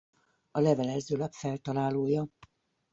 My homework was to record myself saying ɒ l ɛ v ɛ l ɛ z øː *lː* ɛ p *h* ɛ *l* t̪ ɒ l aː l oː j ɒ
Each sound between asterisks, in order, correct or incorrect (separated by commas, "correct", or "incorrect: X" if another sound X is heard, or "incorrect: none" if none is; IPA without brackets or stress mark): incorrect: l, incorrect: f, correct